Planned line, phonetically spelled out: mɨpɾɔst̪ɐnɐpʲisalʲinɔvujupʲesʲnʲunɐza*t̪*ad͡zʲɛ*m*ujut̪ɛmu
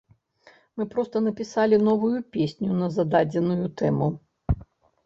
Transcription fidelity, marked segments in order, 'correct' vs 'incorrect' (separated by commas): incorrect, incorrect